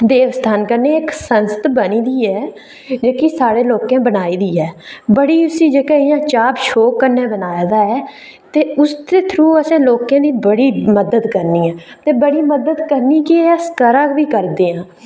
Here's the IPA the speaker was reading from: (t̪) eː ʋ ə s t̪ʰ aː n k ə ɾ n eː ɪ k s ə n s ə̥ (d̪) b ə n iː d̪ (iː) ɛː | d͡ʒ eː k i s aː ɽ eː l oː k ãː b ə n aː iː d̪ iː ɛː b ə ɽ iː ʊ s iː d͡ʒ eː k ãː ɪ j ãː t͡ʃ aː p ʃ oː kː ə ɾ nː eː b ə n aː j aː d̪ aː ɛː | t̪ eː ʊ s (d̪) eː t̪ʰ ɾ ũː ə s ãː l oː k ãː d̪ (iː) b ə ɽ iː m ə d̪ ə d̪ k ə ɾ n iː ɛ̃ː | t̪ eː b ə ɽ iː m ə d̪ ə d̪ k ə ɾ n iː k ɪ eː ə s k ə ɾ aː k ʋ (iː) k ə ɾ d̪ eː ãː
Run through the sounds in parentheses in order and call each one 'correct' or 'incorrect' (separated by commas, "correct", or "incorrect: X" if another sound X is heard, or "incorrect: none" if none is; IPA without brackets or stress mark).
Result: incorrect: d̪, incorrect: t̪, correct, incorrect: t̪, correct, correct